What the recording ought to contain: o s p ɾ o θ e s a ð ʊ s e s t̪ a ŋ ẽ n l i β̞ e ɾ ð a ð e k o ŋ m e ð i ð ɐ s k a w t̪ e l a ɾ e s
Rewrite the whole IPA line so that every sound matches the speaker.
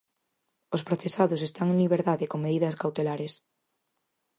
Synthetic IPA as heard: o s p ɾ o θ e s a ð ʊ s e s t̪ a ŋ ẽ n l i β̞ e ɾ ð a ð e k o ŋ m e ð i ð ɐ s k a w t̪ e l a ɾ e s